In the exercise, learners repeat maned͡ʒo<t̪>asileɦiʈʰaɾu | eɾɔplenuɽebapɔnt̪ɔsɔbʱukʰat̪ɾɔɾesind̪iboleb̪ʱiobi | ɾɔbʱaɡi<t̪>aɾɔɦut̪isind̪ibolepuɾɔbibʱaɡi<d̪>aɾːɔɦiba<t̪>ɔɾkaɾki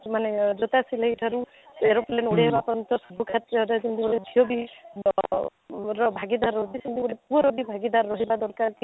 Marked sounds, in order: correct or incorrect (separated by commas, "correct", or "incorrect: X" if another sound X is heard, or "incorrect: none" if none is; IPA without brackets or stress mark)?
correct, incorrect: d̪, correct, incorrect: d̪